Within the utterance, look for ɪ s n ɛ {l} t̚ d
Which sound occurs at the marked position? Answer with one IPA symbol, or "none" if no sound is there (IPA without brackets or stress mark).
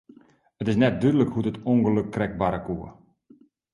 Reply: none